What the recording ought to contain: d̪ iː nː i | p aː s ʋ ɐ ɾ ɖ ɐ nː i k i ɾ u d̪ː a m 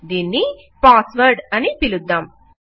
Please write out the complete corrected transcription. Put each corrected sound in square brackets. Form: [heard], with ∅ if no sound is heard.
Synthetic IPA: d̪ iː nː i | p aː s ʋ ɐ ɾ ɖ ɐ [n] i [p] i [l] u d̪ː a m